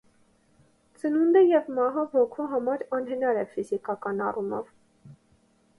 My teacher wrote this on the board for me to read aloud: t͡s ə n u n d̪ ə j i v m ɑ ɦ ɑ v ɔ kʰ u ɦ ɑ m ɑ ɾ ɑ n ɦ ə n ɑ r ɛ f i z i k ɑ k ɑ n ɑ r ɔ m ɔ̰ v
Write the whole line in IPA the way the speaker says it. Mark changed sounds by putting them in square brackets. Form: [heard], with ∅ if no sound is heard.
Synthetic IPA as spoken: t͡s ə n u n d̪ ə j [ɛ] v m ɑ ɦ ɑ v ɔ kʰ u ɦ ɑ m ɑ ɾ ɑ n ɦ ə n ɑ [ɾ] ɛ f i z i k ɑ k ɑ n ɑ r [u] m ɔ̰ v